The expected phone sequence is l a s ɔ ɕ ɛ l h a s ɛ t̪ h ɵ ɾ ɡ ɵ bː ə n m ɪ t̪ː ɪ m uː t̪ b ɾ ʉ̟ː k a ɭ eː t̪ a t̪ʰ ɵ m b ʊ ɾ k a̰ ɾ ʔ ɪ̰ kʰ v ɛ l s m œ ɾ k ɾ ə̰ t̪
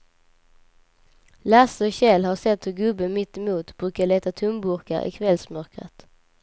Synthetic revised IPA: l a s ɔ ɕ ɛ l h a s ɛ t̪ h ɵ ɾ ɡ ɵ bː ə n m ɪ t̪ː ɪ m uː t̪ b ɾ ʉ̟ː k a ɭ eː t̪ a t̪ʰ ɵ m b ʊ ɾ k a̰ ɾ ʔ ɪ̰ kʰ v ɛ l s m œ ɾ k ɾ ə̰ t̪